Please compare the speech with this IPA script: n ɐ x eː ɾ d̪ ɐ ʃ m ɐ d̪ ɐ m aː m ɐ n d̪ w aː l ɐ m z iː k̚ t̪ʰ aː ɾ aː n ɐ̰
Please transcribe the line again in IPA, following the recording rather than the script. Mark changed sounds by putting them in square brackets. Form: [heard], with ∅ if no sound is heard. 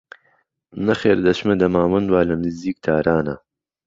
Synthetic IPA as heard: n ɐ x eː ɾ d̪ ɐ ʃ m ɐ d̪ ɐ m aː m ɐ n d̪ w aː l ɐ m z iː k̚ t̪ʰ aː ɾ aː n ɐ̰